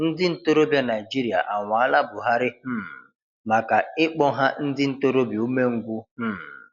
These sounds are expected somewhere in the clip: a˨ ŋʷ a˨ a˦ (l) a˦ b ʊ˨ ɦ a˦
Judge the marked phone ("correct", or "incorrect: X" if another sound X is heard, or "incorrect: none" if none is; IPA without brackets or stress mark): correct